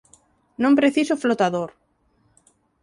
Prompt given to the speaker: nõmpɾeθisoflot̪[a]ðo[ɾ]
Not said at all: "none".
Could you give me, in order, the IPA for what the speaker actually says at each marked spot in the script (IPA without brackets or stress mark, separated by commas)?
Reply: a, ɾ